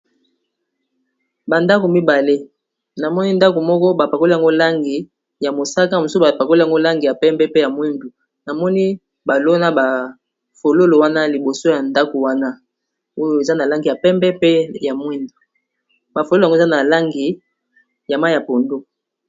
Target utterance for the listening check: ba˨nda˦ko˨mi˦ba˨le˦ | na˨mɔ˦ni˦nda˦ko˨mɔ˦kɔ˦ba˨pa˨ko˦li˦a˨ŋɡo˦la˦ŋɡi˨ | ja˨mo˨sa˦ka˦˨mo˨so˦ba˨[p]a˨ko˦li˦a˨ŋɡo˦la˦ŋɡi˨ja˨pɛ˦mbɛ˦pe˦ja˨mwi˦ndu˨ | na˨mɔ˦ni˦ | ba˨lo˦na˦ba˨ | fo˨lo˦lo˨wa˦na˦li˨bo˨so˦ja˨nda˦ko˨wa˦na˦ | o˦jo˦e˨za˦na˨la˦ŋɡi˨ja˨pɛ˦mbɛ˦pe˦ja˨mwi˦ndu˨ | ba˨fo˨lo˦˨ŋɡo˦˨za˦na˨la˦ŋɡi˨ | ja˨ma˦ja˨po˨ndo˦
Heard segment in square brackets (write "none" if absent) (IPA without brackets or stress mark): p